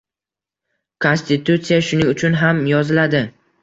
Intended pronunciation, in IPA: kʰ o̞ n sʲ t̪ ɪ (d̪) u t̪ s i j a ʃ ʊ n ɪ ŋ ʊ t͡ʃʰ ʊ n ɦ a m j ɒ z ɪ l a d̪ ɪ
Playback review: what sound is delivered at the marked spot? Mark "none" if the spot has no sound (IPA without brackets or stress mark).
t̪